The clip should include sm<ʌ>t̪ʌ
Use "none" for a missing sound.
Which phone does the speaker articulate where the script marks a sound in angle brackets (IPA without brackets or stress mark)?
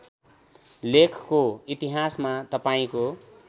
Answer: a